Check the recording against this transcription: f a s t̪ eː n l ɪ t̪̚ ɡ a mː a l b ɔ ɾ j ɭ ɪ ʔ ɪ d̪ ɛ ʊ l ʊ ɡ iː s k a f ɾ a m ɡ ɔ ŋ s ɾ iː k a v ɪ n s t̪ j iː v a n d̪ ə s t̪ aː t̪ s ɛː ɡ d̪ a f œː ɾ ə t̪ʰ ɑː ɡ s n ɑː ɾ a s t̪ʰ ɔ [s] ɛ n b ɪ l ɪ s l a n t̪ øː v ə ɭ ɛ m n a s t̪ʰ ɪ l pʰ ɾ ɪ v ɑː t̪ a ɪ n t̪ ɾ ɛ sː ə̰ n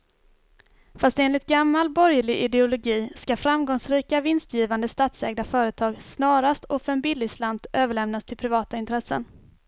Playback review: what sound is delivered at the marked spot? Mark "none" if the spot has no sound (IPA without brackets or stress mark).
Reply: f